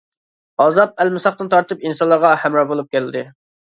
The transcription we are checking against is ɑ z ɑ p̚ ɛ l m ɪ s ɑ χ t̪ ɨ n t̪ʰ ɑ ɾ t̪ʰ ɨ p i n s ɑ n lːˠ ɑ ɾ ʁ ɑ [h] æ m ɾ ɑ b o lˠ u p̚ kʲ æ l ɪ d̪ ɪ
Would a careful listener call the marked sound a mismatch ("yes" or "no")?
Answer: no